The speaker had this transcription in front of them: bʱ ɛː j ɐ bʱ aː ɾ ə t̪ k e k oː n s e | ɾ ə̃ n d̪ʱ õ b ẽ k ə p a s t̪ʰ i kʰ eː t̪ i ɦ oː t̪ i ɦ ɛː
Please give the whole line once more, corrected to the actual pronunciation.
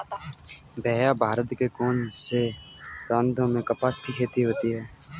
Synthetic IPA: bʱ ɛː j a bʱ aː ɾ ə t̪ k e k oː n s e | ɾ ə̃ n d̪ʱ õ m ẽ k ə p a s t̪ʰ i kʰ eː t̪ i ɦ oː t̪ i ɦ ɛː